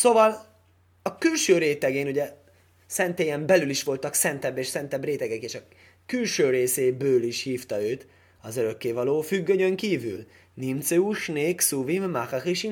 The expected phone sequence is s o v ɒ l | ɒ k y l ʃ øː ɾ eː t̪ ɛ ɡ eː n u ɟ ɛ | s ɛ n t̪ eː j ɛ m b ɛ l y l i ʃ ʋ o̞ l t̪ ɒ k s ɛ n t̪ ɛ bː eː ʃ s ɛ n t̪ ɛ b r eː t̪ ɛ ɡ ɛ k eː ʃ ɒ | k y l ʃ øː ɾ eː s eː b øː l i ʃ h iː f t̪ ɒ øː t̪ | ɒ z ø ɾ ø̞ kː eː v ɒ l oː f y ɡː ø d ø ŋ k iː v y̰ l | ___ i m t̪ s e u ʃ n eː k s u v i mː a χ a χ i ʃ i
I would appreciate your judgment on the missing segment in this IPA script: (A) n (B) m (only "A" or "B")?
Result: A